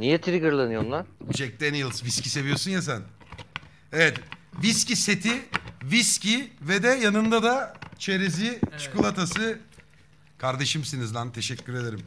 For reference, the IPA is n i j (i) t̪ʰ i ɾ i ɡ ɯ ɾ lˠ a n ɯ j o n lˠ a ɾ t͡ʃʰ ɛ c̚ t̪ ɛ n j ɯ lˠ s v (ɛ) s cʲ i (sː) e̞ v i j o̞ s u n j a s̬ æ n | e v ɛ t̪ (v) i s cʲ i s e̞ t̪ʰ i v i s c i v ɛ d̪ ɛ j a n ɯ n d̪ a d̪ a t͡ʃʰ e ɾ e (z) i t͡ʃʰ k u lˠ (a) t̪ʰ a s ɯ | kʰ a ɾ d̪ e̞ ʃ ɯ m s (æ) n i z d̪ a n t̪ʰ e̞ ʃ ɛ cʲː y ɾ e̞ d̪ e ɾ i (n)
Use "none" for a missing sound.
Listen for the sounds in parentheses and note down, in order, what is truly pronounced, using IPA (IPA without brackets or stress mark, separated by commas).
ɛ, i, s, v, z, a, i, m